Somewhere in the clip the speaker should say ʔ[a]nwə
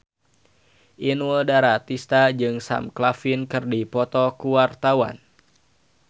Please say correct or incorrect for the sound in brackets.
incorrect